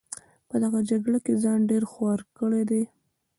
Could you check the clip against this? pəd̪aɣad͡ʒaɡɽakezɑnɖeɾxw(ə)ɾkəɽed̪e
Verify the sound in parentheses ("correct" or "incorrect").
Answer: incorrect